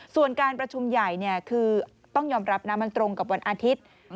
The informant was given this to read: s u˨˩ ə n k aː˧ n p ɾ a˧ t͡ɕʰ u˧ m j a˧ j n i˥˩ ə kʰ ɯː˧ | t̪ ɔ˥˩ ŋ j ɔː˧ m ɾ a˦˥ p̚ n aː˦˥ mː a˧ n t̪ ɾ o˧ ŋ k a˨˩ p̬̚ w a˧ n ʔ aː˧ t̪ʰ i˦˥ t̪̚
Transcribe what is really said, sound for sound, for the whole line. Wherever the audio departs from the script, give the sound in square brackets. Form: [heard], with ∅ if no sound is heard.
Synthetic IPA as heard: s u˨˩ ə n k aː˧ n p ɾ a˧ t͡ɕʰ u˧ m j [a˨˩] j n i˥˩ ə kʰ ɯː˧ | t̪ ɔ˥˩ ŋ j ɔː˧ m ɾ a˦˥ p̚ n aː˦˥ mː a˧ n t̪ ɾ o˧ ŋ k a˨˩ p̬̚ w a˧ n ʔ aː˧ t̪ʰ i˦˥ t̪̚